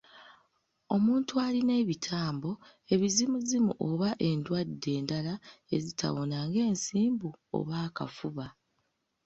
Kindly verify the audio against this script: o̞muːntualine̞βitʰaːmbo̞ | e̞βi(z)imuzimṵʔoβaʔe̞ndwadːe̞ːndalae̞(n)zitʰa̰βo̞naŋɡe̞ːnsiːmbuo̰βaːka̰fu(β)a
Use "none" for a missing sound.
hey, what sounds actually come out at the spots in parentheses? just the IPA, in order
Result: z, none, β

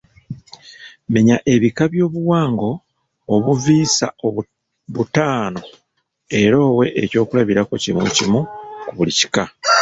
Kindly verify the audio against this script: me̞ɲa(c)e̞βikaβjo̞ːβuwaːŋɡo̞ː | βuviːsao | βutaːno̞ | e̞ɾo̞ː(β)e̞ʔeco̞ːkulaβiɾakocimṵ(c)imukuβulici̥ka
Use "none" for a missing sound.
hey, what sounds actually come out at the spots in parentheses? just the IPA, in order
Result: ʔ, w, c

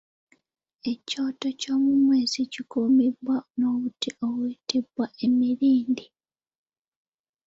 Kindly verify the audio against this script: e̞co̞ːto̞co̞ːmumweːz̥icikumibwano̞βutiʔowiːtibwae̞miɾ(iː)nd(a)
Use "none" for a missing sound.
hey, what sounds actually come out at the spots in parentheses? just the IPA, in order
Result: iː, i

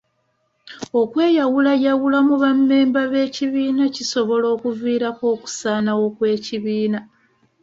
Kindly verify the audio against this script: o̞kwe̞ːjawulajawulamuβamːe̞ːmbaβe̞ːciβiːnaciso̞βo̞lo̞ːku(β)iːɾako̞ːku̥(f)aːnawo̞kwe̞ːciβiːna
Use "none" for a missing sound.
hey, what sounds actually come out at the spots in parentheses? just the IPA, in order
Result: v, s

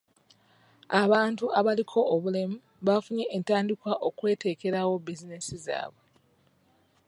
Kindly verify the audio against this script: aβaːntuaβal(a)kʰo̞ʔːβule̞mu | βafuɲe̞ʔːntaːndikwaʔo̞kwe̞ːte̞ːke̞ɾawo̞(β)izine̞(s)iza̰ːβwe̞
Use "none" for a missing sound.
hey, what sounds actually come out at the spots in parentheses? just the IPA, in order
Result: i, b, s

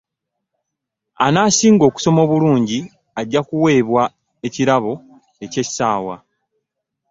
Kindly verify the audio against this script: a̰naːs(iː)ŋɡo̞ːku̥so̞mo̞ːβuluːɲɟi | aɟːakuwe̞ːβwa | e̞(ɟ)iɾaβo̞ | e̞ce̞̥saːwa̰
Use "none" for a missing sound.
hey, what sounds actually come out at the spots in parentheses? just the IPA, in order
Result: iː, c

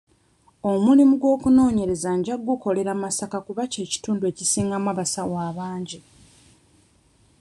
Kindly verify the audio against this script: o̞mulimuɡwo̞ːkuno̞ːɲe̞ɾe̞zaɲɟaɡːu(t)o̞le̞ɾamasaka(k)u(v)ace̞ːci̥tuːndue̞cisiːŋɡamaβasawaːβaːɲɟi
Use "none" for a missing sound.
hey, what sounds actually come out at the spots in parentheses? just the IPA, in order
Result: k, k, β

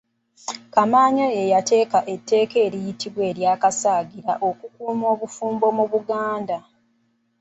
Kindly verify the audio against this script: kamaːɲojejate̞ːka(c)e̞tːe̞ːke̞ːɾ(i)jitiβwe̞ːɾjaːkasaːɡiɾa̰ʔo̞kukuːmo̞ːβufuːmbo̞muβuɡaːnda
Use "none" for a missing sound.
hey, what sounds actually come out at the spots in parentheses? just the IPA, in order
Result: ʔ, i

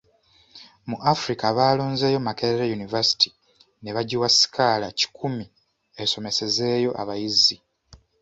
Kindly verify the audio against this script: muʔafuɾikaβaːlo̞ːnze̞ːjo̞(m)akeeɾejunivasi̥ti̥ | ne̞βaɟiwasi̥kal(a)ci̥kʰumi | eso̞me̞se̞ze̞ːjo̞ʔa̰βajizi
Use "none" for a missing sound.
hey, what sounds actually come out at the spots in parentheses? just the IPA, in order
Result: m, a

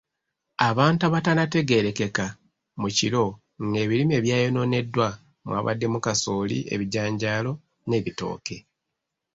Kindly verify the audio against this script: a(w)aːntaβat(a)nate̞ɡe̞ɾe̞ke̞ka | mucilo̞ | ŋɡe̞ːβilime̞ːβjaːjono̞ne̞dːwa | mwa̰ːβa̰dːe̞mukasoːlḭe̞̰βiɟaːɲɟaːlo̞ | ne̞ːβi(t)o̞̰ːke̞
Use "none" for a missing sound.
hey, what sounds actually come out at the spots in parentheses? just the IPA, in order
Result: β, a, t

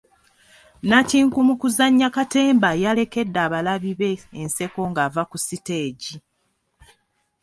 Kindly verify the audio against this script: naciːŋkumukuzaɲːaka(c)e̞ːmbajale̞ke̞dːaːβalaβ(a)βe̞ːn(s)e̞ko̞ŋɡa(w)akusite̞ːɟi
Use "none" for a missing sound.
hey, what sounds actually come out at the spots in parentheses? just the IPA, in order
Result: t, i, s, v

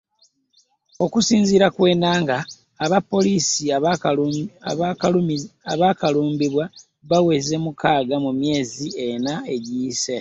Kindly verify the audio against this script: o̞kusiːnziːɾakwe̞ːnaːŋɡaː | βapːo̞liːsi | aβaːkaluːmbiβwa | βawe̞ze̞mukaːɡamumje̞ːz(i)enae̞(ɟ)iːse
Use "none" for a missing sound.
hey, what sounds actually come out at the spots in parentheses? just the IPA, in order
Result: i, ɟ

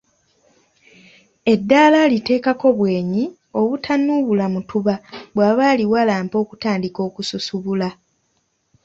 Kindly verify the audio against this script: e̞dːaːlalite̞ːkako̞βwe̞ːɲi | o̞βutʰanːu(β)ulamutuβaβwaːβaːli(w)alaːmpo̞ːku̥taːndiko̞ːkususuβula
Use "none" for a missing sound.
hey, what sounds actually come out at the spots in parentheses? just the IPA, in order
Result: β, w

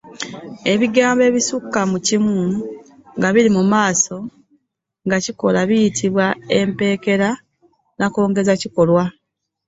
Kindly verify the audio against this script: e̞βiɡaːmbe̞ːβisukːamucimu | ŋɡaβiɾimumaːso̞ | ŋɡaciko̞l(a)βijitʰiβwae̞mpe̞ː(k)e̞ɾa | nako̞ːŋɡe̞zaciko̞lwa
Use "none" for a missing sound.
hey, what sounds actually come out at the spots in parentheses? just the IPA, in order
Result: a, k

